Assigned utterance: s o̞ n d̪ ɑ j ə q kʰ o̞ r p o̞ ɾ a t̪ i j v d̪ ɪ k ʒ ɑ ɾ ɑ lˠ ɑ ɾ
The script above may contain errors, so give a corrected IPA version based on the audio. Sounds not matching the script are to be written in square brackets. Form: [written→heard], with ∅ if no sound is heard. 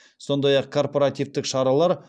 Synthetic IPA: s o̞ n d̪ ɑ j [ə→ɑ] q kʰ o̞ r p o̞ ɾ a t̪ i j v [d̪→t̪] ɪ k [ʒ→ʃ] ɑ ɾ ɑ lˠ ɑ ɾ